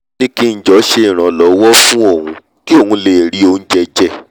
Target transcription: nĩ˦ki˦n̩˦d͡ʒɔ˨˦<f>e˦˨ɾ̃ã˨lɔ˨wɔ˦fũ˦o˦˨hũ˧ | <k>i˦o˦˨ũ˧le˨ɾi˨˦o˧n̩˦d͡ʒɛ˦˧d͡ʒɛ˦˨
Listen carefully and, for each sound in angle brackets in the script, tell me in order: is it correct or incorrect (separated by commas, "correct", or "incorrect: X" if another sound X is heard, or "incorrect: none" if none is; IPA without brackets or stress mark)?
incorrect: ʃ, correct